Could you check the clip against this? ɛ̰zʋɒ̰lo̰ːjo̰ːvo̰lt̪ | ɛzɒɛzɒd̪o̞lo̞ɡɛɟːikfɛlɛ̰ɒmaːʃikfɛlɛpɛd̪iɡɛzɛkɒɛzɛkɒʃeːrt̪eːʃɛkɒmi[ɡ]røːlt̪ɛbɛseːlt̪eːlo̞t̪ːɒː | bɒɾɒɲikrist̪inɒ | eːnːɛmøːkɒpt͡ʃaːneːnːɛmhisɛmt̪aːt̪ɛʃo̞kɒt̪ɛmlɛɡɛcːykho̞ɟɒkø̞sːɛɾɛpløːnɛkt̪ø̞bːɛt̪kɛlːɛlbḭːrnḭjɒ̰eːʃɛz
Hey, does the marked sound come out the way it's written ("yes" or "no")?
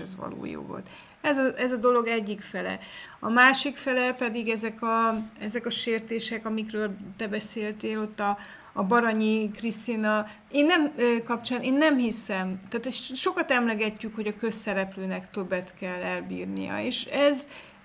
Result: no